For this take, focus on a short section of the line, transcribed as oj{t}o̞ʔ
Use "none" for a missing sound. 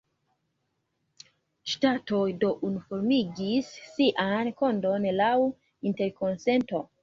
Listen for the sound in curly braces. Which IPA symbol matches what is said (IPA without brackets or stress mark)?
d